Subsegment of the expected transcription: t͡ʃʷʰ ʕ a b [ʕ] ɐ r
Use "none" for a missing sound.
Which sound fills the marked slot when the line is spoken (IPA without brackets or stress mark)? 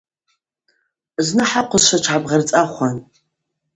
ʁ